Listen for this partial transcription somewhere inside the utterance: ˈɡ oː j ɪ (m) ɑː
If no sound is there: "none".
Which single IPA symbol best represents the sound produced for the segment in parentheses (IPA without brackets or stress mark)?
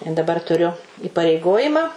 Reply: m